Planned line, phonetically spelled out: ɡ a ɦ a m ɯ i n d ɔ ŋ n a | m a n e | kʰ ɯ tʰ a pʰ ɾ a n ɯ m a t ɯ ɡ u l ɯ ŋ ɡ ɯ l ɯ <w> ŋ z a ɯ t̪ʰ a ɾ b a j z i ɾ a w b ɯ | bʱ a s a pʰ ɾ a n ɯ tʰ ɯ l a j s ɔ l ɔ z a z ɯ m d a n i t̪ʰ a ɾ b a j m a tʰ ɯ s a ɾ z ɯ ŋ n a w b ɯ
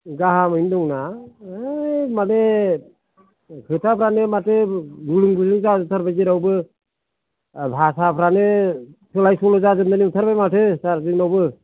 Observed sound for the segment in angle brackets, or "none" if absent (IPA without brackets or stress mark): none